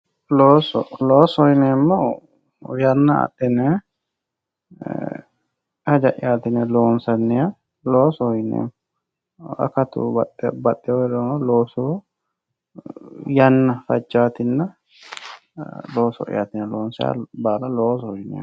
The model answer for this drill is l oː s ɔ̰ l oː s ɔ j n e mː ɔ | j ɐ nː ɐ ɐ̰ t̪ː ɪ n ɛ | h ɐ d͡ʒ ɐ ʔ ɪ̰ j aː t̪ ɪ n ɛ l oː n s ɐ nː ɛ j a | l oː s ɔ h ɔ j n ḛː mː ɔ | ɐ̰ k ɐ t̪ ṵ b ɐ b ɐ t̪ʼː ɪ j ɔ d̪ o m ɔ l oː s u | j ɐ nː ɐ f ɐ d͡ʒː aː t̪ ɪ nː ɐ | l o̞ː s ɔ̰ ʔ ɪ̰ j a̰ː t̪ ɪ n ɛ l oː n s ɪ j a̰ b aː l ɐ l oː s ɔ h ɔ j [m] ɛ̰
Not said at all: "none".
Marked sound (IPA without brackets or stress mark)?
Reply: n